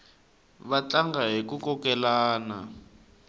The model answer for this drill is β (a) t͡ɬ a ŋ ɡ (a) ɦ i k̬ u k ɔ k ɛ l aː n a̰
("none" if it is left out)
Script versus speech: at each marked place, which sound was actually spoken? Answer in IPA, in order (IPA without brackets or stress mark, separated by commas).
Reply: a, a